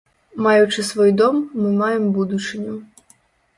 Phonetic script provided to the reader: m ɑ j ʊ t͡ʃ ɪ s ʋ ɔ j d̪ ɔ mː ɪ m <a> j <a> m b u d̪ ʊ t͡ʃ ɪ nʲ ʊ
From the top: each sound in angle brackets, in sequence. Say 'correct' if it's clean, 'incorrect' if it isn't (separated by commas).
incorrect, incorrect